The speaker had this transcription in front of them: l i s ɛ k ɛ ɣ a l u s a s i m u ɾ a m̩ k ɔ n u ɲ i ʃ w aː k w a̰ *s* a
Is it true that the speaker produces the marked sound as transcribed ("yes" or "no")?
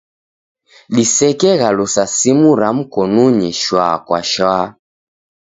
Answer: no